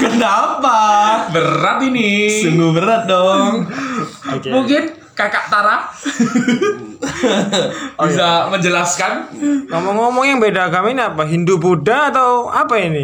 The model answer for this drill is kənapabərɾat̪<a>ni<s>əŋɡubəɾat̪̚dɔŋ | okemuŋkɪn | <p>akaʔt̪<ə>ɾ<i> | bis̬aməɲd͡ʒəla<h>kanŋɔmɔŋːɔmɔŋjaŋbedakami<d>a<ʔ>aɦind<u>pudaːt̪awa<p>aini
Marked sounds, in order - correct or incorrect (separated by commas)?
incorrect, correct, incorrect, incorrect, incorrect, incorrect, incorrect, incorrect, correct, correct